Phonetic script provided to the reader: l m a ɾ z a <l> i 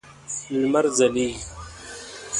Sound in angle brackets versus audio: correct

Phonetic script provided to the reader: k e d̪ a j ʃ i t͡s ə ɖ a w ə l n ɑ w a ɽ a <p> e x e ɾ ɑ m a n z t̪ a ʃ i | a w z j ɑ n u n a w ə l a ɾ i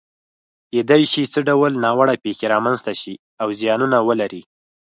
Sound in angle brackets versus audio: correct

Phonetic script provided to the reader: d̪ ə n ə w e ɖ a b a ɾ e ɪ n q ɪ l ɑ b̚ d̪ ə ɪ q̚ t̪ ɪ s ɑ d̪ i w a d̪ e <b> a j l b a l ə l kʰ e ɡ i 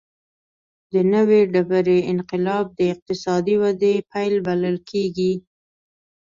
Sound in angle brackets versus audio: incorrect: p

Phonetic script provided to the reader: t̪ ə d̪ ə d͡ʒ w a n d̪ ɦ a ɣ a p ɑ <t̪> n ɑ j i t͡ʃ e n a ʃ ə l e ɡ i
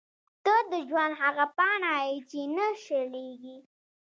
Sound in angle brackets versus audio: incorrect: none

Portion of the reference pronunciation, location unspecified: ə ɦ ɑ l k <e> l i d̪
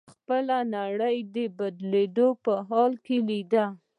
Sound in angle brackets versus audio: correct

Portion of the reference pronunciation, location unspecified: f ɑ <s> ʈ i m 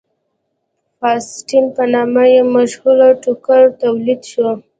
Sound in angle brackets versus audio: correct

